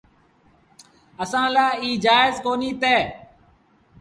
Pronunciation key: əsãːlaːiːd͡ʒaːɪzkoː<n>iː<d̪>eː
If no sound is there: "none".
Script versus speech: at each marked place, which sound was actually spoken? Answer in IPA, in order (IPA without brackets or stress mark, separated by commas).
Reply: n, t̪